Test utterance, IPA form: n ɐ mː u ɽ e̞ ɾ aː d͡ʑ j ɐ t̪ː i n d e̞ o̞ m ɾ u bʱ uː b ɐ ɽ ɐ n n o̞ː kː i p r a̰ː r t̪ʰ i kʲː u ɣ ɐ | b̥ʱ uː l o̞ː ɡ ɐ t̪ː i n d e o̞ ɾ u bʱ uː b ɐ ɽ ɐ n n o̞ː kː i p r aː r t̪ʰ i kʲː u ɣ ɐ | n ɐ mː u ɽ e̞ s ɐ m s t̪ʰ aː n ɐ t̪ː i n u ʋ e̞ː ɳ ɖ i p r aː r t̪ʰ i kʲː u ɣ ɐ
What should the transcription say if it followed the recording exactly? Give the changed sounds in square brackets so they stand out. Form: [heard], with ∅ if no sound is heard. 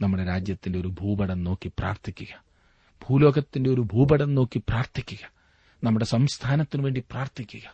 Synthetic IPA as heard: n ɐ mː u ɽ e̞ ɾ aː d͡ʑ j ɐ t̪ː i n d e̞ o̞ [∅] ɾ u bʱ uː b ɐ ɽ ɐ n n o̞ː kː i p r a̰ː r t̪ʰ i kʲː u ɣ ɐ | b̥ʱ uː l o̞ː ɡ ɐ t̪ː i n d e o̞ ɾ u bʱ uː b ɐ ɽ ɐ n n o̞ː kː i p r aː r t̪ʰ i kʲː u ɣ ɐ | n ɐ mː u ɽ e̞ s ɐ m s t̪ʰ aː n ɐ t̪ː i n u ʋ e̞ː ɳ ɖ i p r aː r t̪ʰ i kʲː u ɣ ɐ